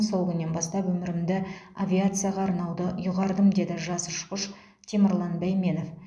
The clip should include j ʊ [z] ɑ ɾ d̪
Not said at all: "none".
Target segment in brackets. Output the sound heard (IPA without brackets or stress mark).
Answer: ʁ